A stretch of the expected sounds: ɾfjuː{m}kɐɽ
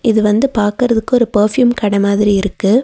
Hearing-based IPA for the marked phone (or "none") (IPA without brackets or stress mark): m